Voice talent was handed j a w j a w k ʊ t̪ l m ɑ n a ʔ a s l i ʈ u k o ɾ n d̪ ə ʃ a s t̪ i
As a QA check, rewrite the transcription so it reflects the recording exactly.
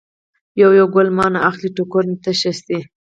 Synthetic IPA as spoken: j a w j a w ɡ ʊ l m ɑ n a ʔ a x l i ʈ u k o ɾ n t̪ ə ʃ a s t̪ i

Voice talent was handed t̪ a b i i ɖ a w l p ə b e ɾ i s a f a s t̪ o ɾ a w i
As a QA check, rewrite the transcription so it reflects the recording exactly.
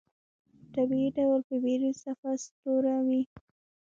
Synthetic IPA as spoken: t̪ a b i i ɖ a w l p ə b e ɾ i s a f a s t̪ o ɾ a w i

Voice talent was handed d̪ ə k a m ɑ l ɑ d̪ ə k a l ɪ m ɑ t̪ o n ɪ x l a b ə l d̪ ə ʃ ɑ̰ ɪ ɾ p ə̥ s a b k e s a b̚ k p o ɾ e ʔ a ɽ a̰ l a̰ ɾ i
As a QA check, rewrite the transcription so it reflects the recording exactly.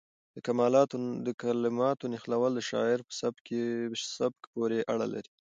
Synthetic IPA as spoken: d̪ ə k a m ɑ l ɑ d̪ ə k a l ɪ m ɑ t̪ o n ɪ x l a w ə l d̪ ə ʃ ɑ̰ ɪ ɾ p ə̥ s a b k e s a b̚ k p o ɾ e ʔ a ɽ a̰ l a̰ ɾ i

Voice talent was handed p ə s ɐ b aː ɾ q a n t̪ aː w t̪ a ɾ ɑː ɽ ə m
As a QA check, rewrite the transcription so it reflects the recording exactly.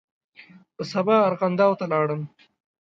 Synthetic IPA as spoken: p ə s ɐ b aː ɾ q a n d̪ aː w t̪ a l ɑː ɽ ə m

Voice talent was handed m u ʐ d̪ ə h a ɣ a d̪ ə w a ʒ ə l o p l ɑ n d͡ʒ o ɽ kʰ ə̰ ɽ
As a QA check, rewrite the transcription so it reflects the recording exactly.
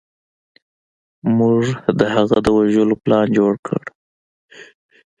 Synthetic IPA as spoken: m u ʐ d̪ ə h a ɣ a d̪ ə w a ʒ ə l o p l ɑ n d͡ʒ o ɽ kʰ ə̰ ɽ

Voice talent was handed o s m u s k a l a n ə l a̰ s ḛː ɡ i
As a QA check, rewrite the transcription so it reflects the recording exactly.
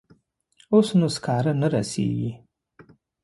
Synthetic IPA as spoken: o s n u s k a ɾ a n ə ɾ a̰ s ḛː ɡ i

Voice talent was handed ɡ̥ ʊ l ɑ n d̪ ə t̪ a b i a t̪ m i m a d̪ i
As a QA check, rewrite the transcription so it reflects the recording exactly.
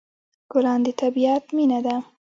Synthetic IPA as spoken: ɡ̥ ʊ l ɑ n d̪ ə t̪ a b i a t̪ m i n a d̪ a

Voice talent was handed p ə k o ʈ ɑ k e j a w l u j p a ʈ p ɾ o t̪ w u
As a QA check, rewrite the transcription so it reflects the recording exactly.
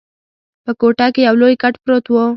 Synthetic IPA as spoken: p ə k o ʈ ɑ k e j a w l o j k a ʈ p ɾ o t̪ w o

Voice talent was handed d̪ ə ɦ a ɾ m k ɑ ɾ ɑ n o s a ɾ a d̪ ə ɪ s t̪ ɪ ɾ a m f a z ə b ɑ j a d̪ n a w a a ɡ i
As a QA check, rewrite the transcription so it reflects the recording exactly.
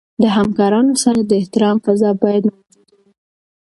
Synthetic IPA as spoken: d̪ ə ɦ a m k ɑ ɾ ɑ n o s a ɾ a d̪ ə ɪ h t̪ ɪ ɾ ɑ m f a z ɑ b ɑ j a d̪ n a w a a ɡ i

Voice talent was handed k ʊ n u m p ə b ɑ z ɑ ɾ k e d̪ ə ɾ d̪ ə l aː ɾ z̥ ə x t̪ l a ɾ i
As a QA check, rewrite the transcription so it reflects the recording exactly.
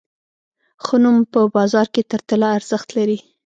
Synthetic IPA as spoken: x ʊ n u m p ə b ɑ z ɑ ɾ k e t̪ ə ɾ t̪ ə l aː ɾ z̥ ə x t̪ l a ɾ i

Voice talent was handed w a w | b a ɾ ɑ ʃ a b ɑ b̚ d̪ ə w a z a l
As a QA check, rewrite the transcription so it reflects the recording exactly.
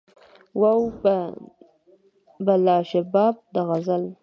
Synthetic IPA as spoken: w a w | b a l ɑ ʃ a b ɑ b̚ d̪ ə ɣ a z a l

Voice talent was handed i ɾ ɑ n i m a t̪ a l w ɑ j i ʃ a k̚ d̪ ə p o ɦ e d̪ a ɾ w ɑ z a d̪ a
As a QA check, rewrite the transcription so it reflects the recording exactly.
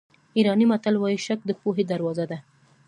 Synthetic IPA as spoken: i ɾ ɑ n i m a t̪ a l w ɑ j i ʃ a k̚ d̪ ə p o ɦ e d̪ a ɾ w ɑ z a d̪ a

